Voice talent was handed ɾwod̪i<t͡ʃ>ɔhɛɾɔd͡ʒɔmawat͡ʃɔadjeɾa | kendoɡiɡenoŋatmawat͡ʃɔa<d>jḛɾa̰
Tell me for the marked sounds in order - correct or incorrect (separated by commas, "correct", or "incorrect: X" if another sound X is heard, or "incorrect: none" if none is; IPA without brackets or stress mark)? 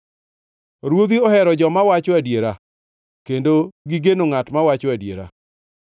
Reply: incorrect: none, correct